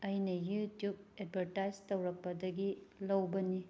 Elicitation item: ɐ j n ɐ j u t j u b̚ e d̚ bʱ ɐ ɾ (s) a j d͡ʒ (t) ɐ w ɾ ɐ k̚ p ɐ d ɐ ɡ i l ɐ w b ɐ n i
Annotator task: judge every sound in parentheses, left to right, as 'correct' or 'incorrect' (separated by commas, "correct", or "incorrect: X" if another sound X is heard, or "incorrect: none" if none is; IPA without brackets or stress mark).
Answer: incorrect: t, correct